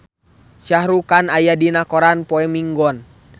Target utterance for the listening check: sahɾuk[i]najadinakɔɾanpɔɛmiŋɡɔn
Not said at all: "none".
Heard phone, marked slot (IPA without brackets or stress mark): a